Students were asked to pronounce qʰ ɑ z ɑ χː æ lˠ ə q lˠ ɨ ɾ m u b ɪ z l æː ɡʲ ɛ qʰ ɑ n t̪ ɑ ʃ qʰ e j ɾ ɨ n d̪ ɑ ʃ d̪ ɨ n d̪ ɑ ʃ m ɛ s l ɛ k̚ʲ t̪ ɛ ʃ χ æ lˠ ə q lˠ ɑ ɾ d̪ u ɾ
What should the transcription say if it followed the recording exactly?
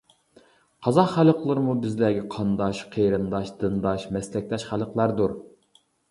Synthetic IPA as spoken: qʰ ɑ z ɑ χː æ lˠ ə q lˠ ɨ ɾ m u b ɪ z l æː ɡʲ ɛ qʰ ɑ n d̪ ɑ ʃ qʰ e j ɾ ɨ n d̪ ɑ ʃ d̪ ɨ n d̪ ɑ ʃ m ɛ s l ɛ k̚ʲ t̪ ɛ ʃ χ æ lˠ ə q lˠ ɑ ɾ d̪ u ɾ